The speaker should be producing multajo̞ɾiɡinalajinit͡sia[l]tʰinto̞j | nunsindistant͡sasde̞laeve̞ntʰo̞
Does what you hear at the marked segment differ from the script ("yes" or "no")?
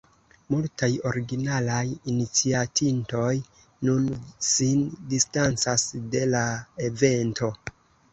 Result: yes